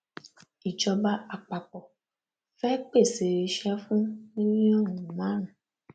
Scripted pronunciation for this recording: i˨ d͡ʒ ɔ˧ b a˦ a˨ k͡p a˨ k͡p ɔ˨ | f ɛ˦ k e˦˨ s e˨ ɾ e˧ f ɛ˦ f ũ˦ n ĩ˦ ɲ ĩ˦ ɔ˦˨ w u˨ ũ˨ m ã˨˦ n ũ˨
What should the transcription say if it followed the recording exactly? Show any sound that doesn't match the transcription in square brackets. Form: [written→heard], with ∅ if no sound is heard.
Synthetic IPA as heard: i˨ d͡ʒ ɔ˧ b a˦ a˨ k͡p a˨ k͡p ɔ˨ | f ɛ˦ [k→k͡p] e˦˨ s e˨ ɾ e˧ [f→ʃ] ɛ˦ f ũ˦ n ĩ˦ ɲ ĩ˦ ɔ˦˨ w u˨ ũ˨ m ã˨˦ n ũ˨